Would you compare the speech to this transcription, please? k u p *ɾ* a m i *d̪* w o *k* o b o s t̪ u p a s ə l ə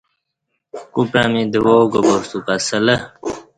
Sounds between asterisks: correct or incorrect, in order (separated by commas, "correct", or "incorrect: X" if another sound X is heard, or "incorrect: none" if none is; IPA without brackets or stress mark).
correct, correct, incorrect: ɡ